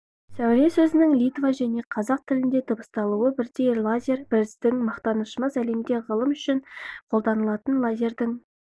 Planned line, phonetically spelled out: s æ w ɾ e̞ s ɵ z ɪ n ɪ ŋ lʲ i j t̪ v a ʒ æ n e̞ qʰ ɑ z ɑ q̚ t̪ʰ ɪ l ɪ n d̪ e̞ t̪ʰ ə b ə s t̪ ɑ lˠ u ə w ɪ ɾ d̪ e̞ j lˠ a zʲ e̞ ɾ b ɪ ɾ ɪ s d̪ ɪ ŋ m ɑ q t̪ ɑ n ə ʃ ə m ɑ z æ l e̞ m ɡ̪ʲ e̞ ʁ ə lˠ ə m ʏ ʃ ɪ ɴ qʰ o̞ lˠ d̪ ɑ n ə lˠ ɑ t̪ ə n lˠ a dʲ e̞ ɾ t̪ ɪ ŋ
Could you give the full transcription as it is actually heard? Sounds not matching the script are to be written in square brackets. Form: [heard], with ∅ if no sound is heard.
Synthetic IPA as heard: s æ w ɾ e̞ s ɵ z ɪ n ɪ ŋ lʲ i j t̪ v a ʒ æ n e̞ qʰ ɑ z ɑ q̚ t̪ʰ ɪ l ɪ n d̪ e̞ t̪ʰ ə b ə s t̪ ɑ lˠ u ə [b] ɪ ɾ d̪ e̞ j lˠ a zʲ e̞ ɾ b ɪ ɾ ɪ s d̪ ɪ ŋ m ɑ q t̪ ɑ n ə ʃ ə m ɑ z æ l e̞ m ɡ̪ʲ e̞ ʁ ə lˠ ə m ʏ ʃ ɪ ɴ qʰ o̞ lˠ d̪ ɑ n ə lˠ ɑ t̪ ə n lˠ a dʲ e̞ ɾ [d̪] ɪ ŋ